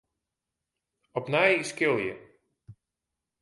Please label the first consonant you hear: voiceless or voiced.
voiceless